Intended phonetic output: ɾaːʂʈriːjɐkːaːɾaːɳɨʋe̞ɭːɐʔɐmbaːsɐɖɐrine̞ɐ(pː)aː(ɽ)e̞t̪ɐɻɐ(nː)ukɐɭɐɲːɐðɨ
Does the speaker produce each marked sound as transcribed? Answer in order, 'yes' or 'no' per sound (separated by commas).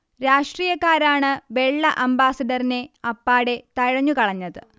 yes, yes, no